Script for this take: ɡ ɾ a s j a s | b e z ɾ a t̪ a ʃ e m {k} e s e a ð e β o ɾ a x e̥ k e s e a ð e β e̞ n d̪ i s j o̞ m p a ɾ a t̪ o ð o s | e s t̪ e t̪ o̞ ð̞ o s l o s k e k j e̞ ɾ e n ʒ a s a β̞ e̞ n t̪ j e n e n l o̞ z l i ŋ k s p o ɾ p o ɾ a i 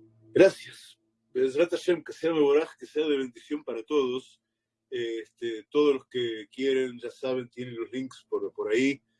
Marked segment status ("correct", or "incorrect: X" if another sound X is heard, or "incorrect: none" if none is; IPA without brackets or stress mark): correct